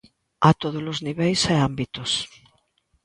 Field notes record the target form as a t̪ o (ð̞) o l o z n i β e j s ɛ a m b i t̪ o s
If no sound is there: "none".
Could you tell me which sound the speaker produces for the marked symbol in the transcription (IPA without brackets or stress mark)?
ð̞